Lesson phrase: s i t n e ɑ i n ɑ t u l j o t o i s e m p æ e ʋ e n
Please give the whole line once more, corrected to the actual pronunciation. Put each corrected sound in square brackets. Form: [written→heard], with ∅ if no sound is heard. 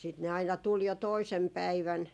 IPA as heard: s i t n e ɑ i n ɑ t u l j o t o i s e m p æ [e→i] ʋ [e→æ] n